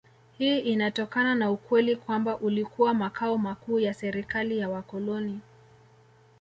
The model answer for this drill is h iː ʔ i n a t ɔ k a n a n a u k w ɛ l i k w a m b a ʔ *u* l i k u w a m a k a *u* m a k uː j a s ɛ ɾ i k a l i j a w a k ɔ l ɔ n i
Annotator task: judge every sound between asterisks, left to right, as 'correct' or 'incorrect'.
correct, incorrect: ɔ

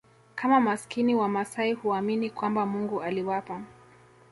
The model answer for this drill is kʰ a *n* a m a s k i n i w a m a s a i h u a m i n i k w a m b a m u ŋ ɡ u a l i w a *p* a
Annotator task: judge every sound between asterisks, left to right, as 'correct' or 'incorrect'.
incorrect: m, correct

